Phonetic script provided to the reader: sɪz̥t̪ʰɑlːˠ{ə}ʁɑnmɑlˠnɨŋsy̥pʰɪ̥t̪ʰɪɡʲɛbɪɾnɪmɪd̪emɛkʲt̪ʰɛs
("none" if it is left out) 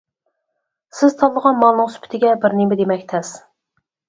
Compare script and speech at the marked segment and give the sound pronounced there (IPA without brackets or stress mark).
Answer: ə